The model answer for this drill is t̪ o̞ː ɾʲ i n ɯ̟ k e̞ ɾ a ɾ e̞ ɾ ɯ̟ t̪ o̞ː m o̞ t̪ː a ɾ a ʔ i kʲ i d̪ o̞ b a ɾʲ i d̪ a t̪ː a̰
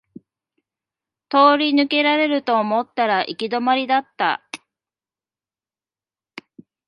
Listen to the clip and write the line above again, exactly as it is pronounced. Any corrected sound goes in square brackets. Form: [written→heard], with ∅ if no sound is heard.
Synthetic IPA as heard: t̪ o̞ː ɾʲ i n ɯ̟ k e̞ ɾ a ɾ e̞ ɾ ɯ̟ t̪ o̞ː m o̞ t̪ː a ɾ a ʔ i kʲ i d̪ o̞ [b→m] a ɾʲ i d̪ a t̪ː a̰